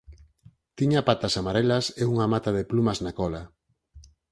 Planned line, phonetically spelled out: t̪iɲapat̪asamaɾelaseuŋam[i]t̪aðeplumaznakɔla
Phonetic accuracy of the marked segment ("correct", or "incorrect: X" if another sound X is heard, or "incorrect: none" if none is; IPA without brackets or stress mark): incorrect: a